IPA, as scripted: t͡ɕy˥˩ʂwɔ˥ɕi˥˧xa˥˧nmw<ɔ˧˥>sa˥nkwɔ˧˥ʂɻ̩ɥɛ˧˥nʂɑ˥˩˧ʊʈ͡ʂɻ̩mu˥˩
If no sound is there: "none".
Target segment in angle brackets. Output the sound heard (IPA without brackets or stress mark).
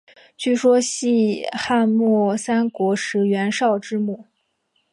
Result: ɔ˥˩